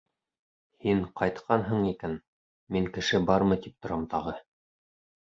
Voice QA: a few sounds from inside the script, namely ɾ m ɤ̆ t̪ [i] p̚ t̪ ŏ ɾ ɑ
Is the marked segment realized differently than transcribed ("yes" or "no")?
no